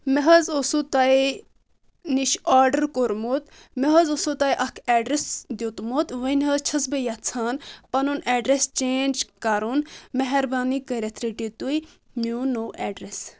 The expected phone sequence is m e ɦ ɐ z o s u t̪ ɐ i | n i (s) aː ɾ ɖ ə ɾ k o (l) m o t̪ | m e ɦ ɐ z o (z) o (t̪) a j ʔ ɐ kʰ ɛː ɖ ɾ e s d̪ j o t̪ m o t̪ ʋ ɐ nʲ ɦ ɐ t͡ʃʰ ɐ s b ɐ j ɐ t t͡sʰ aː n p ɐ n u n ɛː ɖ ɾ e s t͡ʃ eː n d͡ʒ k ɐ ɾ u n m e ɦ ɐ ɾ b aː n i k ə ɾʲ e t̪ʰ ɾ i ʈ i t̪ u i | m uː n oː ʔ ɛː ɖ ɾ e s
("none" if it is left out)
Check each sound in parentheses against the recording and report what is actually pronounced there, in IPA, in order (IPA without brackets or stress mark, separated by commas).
ʃ, ɾ, s, t̪